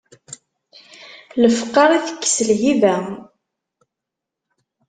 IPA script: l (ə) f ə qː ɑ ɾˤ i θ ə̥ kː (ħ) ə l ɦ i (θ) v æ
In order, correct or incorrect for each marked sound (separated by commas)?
correct, incorrect, incorrect